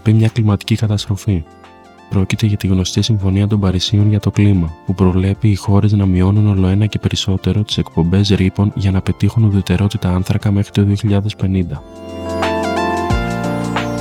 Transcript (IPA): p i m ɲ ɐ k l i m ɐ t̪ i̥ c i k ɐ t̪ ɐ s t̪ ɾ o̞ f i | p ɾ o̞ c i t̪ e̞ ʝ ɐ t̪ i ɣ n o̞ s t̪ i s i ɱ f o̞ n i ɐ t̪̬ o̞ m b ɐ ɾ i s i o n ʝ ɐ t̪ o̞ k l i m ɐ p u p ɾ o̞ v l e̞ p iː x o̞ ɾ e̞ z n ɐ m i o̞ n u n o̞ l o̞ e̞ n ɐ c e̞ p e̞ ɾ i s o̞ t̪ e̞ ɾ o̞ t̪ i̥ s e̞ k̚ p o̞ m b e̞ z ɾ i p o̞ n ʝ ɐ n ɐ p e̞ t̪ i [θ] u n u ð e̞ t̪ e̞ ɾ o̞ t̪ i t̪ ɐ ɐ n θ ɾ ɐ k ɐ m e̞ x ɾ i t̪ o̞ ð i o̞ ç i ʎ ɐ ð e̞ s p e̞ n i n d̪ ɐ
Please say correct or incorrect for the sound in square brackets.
incorrect